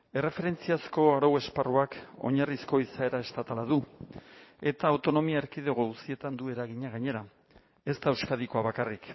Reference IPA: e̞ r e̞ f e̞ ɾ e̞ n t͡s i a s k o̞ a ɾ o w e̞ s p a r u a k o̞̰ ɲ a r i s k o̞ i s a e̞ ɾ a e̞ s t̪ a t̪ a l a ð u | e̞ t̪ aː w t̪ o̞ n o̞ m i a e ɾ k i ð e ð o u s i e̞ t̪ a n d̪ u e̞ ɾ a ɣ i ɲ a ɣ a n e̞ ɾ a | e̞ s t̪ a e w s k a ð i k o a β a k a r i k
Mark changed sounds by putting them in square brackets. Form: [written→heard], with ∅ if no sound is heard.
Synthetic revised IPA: e̞ r e̞ f e̞ ɾ e̞ n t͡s i a s k o̞ a ɾ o w e̞ s p a r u a k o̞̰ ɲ a r i s k o̞ i s a e̞ ɾ a e̞ s t̪ a t̪ a l a ð u | e̞ t̪ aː w t̪ o̞ n o̞ m i a e ɾ k i ð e [ð→ɣ] o u s i e̞ t̪ a n d̪ u e̞ ɾ a ɣ i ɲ a ɣ a [n→ɲ] e̞ ɾ a | e̞ s t̪ a e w s k a ð i k o a β a k a r i k